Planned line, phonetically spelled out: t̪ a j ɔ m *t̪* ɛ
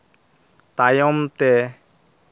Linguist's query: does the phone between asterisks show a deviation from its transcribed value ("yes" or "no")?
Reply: no